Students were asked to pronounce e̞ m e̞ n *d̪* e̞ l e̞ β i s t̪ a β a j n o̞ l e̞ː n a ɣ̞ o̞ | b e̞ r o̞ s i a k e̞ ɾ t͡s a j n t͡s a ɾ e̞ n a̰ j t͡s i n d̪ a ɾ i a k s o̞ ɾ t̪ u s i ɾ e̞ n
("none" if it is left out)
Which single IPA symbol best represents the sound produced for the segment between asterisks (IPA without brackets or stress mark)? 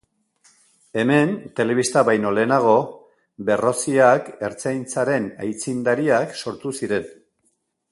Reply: t̪